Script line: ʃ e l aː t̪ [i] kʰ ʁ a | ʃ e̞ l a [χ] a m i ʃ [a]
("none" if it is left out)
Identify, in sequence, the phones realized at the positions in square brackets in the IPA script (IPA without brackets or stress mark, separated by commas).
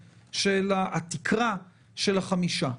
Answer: i, χ, a